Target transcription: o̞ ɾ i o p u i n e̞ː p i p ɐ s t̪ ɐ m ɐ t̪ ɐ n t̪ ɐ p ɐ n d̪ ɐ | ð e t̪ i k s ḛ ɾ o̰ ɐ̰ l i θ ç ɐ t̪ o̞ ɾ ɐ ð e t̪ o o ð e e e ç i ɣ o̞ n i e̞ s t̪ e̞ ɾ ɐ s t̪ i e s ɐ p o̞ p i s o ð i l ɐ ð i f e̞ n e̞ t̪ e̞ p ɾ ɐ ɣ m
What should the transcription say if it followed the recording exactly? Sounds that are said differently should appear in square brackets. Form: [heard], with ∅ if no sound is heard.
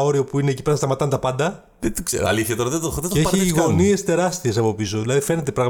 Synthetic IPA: o̞ ɾ i o p u i n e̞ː [c] i p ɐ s t̪ ɐ m ɐ t̪ ɐ n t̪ ɐ p ɐ n d̪ ɐ | ð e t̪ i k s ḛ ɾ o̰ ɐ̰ l i θ ç ɐ t̪ o̞ ɾ ɐ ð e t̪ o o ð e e e ç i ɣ o̞ n i e̞ s t̪ e̞ ɾ ɐ s t̪ i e s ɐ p o̞ p i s o ð i l ɐ ð i f e̞ n e̞ t̪ e̞ p ɾ ɐ ɣ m